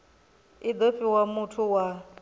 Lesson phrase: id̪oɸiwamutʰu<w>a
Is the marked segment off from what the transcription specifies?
no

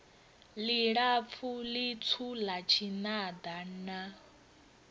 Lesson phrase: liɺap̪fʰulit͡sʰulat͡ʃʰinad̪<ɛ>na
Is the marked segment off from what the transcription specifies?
yes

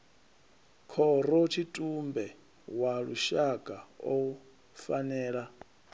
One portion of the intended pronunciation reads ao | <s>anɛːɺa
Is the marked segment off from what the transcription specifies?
yes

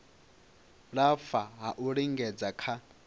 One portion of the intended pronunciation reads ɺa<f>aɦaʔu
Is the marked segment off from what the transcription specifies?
no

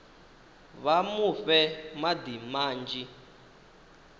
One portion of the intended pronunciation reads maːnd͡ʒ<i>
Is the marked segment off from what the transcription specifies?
no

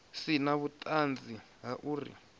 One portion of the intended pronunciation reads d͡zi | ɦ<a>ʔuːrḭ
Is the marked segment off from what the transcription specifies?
no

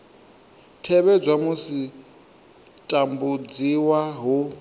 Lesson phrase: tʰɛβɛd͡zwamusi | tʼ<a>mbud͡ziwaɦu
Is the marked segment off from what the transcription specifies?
no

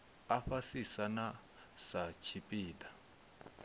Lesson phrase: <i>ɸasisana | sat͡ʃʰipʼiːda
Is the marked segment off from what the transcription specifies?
yes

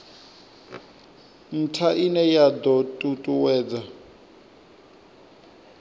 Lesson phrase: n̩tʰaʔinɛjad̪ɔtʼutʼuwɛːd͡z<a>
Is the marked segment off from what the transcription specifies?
no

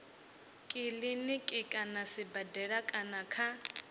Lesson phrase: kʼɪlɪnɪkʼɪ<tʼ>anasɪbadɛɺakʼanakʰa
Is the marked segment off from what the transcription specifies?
yes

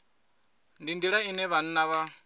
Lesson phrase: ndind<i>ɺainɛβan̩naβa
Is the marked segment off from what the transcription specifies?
no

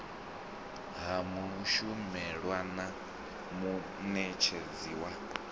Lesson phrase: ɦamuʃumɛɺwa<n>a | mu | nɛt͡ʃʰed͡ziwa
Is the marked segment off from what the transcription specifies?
no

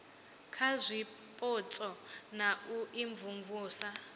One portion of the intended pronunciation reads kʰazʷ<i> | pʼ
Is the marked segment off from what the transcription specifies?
no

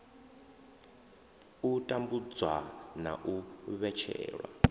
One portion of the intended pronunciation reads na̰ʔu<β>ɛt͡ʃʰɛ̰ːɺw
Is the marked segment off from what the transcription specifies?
no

